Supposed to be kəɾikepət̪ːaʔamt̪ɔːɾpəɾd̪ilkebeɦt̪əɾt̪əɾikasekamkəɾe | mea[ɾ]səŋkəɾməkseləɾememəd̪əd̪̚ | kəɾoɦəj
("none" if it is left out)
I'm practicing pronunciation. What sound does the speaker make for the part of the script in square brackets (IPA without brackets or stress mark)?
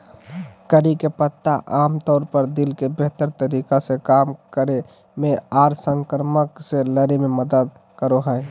ɾ